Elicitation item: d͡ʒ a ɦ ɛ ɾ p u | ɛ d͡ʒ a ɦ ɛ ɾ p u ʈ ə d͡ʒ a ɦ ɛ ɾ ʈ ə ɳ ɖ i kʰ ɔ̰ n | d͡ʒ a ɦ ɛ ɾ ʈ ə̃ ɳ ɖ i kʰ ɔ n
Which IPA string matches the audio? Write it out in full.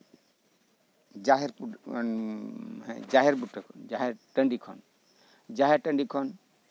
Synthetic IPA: d͡ʒ a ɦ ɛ ɾ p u | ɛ d͡ʒ a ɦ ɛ ɾ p u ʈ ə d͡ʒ a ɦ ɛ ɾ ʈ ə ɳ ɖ i kʰ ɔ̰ n | d͡ʒ a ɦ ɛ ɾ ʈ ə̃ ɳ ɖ i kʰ ɔ n